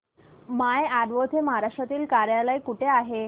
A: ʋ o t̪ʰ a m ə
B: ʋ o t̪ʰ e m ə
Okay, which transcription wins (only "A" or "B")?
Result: B